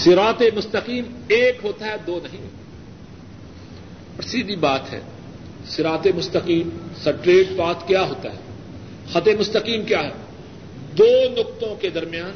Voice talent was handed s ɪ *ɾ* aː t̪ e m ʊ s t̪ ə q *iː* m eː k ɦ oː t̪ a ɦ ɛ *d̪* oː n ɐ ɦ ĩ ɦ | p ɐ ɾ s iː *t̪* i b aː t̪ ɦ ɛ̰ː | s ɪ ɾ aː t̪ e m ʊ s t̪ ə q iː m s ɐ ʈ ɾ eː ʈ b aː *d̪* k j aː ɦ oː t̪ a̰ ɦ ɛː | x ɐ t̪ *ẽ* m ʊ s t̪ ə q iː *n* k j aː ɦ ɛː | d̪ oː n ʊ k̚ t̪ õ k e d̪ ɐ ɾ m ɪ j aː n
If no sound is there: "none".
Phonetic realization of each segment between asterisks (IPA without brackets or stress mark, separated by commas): ɾ, iː, d̪, d̪, t̪, e, m